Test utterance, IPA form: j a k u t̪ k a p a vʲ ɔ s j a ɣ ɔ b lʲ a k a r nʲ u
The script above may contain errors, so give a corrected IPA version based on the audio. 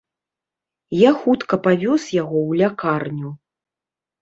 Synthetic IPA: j a x u t̪ k ɐ p a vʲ ɔ s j a ɣ ɔ w lʲ a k a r nʲ u